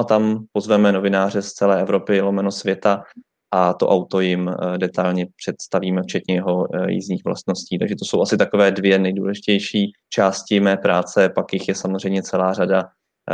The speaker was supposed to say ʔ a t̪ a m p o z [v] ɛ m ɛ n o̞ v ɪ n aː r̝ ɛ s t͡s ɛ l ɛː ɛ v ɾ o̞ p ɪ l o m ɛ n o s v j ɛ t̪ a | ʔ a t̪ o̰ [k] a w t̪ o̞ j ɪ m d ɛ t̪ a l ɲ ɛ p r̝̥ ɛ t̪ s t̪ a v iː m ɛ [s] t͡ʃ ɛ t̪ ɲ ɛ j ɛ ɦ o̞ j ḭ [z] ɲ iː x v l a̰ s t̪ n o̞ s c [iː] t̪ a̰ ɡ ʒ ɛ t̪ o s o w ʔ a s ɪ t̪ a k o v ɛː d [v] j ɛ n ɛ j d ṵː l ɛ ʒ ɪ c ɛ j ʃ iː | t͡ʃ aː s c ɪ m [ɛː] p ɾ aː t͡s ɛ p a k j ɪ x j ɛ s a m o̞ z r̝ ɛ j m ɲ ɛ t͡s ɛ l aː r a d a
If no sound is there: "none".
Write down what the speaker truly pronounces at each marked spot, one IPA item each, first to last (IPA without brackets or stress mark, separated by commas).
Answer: v, ʔ, f, z, iː, v, ɛː